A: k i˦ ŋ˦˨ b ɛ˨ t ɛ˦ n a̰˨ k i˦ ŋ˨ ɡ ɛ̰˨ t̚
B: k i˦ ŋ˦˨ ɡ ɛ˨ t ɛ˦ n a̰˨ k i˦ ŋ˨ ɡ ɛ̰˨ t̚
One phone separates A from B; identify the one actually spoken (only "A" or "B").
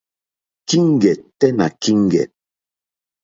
B